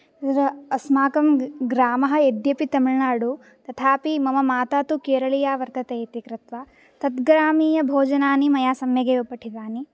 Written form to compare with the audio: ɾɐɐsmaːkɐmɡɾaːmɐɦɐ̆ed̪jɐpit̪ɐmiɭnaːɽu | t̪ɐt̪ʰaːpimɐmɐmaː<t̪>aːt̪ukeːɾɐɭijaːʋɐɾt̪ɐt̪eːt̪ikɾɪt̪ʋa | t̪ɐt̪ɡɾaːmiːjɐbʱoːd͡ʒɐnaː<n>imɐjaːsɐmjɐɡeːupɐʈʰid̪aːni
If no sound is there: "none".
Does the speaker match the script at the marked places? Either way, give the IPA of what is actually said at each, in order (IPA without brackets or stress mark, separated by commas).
t̪, n